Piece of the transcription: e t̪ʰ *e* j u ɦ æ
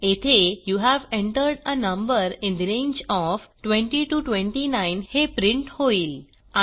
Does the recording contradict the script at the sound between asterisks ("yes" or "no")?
no